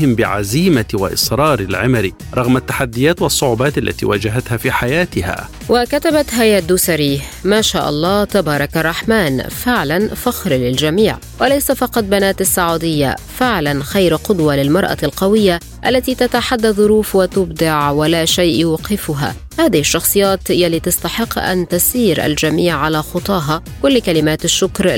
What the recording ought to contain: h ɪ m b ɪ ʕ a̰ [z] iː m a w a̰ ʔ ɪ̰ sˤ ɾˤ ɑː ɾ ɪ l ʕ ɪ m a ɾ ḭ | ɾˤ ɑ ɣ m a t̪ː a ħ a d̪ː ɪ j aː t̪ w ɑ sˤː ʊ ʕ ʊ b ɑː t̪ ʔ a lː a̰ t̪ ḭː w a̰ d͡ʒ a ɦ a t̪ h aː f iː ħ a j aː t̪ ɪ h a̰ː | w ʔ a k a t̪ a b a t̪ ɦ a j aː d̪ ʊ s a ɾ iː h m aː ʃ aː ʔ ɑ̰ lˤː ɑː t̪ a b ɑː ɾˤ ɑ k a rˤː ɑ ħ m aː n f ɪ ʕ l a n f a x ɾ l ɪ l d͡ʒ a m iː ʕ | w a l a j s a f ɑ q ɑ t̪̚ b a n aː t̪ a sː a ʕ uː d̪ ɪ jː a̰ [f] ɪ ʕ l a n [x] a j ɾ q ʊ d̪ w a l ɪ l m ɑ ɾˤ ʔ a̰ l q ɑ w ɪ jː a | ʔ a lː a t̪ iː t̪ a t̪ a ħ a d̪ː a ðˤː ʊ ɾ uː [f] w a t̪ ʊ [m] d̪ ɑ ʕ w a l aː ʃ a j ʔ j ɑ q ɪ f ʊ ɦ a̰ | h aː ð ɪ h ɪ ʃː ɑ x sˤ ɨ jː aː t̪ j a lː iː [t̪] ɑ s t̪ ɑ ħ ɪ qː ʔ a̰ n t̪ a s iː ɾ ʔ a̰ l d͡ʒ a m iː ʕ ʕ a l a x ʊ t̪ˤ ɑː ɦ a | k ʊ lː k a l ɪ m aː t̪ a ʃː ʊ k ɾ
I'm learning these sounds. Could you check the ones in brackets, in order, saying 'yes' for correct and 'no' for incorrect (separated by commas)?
yes, yes, yes, yes, no, yes